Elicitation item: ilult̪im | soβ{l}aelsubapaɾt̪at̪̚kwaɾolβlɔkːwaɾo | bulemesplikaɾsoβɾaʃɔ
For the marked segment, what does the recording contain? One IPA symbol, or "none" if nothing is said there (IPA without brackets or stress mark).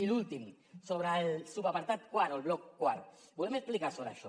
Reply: ɾ